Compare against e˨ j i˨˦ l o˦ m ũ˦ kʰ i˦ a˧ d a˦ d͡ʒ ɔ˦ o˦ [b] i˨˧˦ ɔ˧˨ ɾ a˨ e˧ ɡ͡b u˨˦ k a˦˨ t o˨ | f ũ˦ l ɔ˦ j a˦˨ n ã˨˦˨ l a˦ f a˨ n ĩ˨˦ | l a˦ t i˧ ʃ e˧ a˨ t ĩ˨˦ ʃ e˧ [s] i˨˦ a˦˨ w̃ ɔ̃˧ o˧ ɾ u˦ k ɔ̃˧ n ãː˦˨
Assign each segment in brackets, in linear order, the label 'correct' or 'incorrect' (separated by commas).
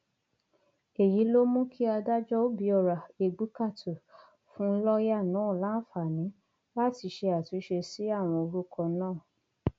correct, correct